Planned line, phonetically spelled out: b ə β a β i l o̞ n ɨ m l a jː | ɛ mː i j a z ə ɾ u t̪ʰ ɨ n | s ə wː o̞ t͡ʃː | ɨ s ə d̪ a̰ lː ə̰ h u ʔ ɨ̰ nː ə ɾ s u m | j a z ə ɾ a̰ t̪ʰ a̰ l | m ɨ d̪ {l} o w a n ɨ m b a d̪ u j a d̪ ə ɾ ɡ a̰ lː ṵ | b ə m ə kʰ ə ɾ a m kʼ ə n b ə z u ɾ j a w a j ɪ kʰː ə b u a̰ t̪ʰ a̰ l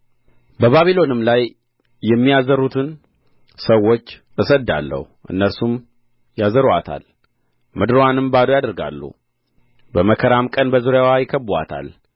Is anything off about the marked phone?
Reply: yes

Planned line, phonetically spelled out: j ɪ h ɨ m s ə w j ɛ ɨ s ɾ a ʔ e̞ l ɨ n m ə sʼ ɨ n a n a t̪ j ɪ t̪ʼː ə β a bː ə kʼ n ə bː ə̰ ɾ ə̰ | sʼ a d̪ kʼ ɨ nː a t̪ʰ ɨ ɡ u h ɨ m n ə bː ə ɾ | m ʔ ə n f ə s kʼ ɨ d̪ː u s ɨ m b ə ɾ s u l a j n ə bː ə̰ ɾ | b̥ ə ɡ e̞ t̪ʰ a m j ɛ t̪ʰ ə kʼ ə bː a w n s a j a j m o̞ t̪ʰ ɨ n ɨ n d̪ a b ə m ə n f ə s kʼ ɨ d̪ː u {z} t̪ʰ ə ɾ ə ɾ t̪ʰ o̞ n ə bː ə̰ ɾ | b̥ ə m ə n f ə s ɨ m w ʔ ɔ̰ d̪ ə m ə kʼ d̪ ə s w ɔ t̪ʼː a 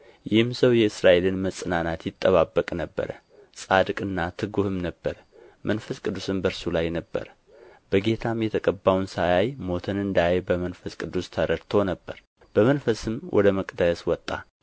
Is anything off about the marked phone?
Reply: yes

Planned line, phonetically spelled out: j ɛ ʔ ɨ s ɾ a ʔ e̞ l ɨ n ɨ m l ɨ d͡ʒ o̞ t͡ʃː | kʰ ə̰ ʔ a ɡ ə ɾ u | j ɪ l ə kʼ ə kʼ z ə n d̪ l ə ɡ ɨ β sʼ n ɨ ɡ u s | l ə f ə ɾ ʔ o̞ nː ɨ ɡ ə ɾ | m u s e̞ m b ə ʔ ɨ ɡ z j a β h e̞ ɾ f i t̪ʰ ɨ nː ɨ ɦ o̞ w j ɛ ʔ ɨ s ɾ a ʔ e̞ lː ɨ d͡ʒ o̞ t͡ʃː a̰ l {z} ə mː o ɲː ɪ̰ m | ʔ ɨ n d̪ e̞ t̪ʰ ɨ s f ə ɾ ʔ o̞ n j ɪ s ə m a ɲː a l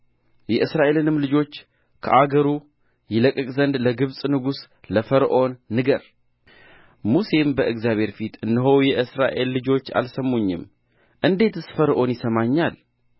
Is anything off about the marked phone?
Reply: yes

